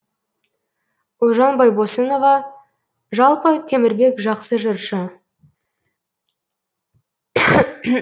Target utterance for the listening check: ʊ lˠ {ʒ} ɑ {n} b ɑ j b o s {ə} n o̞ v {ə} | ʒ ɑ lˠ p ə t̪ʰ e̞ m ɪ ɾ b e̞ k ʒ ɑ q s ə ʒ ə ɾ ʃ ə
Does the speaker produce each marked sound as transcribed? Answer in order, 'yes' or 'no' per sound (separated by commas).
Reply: yes, yes, yes, no